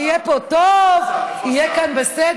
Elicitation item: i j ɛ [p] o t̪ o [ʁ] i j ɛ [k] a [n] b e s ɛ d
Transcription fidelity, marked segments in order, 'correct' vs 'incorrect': correct, incorrect: v, correct, correct

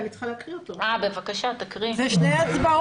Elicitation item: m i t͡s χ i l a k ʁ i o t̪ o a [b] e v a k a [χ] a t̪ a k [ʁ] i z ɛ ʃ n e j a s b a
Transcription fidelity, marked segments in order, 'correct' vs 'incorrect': correct, incorrect: ʃ, correct

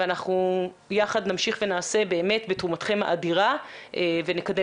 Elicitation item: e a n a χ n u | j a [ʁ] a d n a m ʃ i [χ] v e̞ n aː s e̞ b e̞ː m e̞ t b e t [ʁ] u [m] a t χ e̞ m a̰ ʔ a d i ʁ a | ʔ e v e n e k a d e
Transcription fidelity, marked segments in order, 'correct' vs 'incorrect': incorrect: χ, correct, correct, correct

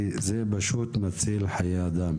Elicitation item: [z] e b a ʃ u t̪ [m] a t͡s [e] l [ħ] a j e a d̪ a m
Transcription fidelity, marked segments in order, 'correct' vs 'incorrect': correct, correct, incorrect: i, correct

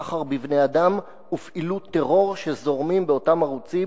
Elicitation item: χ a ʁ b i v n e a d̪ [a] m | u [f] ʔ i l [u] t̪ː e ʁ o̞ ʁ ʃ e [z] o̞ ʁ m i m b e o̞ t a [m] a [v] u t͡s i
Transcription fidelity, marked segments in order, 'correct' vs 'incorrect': correct, correct, correct, correct, correct, incorrect: ʁ

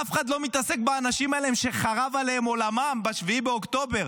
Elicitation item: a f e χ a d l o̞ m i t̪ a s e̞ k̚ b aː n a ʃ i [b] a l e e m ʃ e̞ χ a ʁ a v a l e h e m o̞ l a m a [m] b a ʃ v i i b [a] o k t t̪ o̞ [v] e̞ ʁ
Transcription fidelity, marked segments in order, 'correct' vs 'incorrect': incorrect: m, correct, incorrect: e, incorrect: b

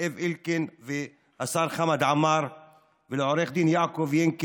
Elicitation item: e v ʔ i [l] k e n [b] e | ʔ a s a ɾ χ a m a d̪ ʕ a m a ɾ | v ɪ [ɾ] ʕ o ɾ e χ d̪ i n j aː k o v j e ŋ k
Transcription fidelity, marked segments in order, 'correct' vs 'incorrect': correct, incorrect: v, incorrect: l

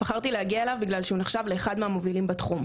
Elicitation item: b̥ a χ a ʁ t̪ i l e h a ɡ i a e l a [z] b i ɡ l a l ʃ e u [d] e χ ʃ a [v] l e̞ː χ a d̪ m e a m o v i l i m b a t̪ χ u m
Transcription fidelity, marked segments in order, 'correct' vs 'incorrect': incorrect: v, incorrect: n, correct

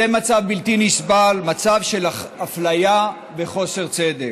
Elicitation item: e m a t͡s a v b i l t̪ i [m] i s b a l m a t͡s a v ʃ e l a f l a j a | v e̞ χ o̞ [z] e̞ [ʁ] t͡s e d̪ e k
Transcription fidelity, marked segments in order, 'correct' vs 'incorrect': incorrect: n, incorrect: s, correct

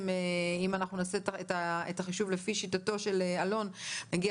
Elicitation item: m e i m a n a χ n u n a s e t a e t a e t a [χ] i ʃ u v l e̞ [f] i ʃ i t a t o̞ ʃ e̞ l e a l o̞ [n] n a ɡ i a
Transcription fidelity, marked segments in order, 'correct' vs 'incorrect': correct, correct, correct

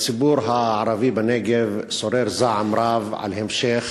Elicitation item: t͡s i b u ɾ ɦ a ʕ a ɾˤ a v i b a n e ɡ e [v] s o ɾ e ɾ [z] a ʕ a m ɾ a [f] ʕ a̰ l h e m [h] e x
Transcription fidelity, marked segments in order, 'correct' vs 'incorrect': correct, correct, incorrect: v, incorrect: ʃ

